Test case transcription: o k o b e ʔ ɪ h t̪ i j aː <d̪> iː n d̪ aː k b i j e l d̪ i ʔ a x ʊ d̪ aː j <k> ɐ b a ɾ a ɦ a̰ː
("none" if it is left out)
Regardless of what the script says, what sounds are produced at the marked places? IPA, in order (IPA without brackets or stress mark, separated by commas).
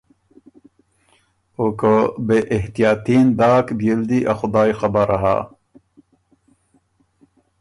t̪, x